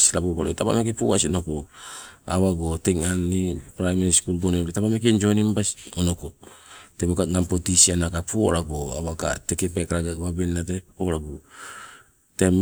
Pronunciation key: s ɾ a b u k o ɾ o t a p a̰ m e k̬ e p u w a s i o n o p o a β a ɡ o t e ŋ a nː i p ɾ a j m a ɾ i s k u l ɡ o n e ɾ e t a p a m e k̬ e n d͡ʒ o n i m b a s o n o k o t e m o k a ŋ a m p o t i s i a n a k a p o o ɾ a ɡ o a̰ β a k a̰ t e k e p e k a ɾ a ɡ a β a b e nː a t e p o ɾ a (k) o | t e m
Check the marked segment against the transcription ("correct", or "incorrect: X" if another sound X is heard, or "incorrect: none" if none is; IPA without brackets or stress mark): incorrect: ɡ